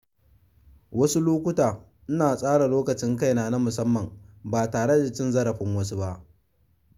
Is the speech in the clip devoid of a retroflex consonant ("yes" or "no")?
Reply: no